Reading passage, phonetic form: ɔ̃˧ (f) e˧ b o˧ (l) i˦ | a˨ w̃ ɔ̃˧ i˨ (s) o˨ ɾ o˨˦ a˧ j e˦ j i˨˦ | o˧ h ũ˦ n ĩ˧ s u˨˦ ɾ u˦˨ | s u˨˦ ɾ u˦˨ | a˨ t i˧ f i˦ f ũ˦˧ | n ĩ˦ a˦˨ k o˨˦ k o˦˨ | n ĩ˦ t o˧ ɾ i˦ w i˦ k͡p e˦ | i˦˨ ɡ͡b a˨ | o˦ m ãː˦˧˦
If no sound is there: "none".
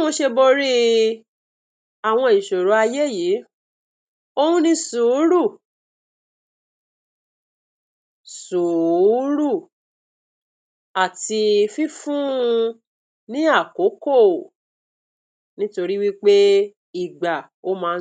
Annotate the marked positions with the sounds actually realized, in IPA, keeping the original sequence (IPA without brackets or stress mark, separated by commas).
ʃ, ɾ, ʃ